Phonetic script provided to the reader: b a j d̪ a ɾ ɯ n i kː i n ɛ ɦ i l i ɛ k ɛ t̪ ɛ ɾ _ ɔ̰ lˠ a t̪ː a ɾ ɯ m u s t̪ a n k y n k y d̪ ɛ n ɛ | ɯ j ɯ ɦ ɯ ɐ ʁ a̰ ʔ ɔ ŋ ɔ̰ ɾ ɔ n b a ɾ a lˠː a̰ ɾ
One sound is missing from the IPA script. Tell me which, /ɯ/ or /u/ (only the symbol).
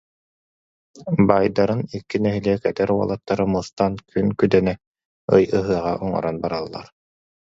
u